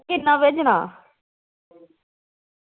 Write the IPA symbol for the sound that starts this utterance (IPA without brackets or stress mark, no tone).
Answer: k